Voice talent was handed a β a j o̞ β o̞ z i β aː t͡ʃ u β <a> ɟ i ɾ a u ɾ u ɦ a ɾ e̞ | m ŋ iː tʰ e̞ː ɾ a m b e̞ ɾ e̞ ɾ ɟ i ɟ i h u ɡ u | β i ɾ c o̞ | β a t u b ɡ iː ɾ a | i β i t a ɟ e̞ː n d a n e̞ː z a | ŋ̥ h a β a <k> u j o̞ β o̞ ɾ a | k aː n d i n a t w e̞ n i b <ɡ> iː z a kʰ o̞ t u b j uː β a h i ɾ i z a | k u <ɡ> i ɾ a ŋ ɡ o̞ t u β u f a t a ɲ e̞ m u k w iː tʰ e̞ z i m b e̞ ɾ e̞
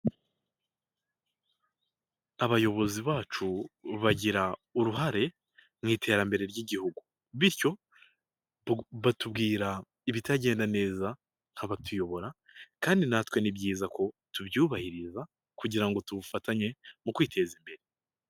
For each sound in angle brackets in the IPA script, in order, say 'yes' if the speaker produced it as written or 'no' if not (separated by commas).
yes, no, no, no